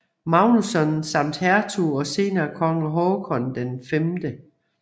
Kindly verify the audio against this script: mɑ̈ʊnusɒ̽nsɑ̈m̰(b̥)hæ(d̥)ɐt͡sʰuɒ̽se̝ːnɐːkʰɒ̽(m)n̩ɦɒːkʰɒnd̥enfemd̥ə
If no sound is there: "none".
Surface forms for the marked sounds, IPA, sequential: d̥, none, ŋ

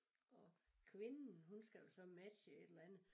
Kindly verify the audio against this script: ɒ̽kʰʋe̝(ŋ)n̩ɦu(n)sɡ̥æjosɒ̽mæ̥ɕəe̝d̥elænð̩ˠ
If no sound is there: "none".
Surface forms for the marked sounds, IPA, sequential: n, n

